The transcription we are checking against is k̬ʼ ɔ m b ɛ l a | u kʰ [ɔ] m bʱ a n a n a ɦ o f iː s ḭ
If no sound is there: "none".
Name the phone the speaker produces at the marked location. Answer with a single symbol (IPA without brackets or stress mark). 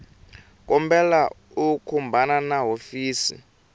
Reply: u